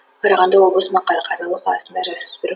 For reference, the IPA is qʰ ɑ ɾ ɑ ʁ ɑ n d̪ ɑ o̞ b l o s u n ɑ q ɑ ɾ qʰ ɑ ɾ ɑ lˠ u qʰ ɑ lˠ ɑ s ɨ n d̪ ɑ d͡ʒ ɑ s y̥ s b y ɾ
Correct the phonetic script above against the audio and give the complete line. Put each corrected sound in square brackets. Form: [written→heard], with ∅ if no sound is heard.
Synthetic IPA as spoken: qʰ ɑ ɾ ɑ ʁ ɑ n d̪ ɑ o̞ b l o s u n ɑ q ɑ ɾ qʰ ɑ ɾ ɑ lˠ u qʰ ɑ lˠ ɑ s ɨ n d̪ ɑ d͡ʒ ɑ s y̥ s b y ɾ